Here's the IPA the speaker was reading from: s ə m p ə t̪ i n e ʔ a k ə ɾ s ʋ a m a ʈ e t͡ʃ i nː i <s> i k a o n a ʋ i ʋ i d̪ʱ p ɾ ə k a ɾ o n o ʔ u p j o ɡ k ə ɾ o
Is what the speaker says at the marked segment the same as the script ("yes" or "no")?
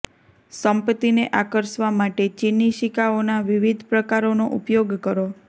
no